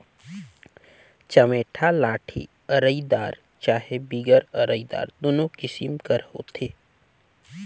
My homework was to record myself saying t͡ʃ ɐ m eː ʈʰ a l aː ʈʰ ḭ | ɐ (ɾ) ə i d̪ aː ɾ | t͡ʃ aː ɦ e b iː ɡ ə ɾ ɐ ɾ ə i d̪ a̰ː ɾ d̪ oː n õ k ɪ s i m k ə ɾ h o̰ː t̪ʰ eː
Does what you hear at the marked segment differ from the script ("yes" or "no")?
no